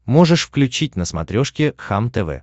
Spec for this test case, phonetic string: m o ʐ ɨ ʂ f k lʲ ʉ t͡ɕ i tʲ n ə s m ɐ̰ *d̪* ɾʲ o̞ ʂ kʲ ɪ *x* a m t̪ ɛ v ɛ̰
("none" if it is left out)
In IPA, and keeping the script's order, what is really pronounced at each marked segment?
t̪, x

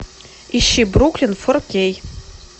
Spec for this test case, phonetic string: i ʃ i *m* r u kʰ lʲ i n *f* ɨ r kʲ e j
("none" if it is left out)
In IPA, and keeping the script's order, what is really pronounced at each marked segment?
b, f

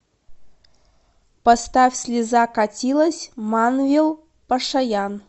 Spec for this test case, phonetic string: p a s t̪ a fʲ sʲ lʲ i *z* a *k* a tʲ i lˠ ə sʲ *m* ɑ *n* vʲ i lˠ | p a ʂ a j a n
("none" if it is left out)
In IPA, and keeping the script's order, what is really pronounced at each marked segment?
z, k, m, n

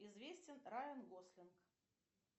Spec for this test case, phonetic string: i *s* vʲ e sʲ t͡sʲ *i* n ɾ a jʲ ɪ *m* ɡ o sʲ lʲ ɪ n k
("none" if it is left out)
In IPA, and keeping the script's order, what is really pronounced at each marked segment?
z, ɪ, n

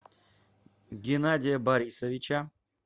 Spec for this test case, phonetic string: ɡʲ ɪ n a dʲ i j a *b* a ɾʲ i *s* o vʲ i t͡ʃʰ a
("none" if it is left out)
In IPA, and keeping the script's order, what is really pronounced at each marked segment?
b, s

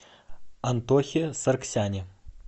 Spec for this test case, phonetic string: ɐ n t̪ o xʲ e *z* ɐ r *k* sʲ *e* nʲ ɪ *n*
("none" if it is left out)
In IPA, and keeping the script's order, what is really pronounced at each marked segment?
s, k, a, none

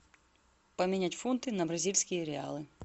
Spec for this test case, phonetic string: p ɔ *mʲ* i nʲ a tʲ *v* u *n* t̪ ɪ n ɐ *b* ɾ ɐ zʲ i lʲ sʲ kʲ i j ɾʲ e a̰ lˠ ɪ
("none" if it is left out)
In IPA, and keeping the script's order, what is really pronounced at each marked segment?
mʲ, f, n, b

